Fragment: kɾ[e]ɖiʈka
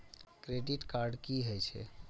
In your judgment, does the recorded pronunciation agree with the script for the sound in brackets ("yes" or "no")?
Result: yes